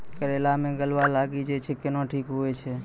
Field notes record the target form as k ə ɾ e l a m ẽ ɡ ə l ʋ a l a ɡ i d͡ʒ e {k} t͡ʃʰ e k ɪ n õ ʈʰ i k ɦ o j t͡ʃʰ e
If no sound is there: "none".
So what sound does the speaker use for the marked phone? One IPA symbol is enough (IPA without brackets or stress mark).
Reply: none